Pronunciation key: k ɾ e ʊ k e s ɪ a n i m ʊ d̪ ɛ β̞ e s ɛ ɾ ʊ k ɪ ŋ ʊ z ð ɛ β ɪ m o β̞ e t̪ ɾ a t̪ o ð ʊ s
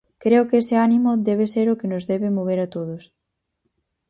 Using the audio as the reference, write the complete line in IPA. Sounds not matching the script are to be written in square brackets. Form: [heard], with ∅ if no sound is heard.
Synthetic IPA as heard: k ɾ e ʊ k e s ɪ a n i m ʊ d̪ ɛ β̞ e s [e] ɾ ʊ k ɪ [n] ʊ z ð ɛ β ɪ m o β̞ e [∅] ɾ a t̪ o ð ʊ s